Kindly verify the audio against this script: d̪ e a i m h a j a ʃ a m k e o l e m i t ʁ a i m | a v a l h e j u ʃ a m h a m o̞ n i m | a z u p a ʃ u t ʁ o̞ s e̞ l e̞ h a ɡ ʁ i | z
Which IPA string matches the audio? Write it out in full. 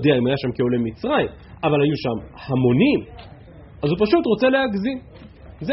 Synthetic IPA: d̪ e a i m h a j a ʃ a m k e o l e m i t͡s ʁ a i m | a v a l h a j u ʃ a m h a m o̞ n i m | a z u p a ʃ u t ʁ o̞ t͡s e̞ l e̞ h a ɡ z i | z